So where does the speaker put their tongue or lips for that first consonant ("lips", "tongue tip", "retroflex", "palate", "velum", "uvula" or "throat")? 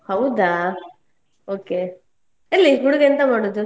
throat